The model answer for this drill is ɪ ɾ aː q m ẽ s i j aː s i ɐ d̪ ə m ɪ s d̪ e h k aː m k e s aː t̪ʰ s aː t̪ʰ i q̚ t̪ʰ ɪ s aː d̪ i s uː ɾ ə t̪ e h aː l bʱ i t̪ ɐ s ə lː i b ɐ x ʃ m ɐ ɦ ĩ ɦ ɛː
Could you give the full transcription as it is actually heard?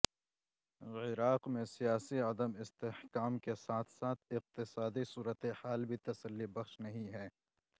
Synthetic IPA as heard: ɪ ɾ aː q m ẽ s i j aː s i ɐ d̪ ə m ɪ s t̪ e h k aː m k e s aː t̪ʰ s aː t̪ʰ ɪ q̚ t̪ ɪ s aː d̪ i s uː ɾ ə t̪ e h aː l bʱ i t̪ ɐ s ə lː i b ɐ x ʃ n ɐ ɦ ĩ ɦ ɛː